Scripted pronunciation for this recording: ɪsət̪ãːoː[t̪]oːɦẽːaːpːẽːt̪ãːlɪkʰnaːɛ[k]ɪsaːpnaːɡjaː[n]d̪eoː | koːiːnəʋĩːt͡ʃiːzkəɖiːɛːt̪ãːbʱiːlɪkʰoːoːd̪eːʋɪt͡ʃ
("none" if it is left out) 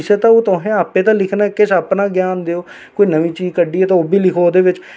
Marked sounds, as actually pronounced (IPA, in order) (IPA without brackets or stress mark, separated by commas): t̪, k, n